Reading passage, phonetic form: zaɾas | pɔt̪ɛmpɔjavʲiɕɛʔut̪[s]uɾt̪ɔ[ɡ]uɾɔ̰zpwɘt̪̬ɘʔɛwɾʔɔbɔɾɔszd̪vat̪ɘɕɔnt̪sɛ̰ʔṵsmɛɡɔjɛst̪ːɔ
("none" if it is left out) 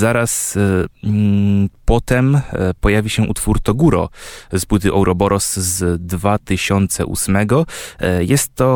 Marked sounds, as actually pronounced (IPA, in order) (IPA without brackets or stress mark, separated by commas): f, ɡ